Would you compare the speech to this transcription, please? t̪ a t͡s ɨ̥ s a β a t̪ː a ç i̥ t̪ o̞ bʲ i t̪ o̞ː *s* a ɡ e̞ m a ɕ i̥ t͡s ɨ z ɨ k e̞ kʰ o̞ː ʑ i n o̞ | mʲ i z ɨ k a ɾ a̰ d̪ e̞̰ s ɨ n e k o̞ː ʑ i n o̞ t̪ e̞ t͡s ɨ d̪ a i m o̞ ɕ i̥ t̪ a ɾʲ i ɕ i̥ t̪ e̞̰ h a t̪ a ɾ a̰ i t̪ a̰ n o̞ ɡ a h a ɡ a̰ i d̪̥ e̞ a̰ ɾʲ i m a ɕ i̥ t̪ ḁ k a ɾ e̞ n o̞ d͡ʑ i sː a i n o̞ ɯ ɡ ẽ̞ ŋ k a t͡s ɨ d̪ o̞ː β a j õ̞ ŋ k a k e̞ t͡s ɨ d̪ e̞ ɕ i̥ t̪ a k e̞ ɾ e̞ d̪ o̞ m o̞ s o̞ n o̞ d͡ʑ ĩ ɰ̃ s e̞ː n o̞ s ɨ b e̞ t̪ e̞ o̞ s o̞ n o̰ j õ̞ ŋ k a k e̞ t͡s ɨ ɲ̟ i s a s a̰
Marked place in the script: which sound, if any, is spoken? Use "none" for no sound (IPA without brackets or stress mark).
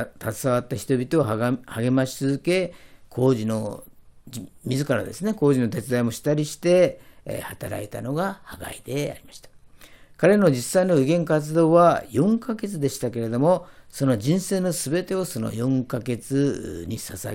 h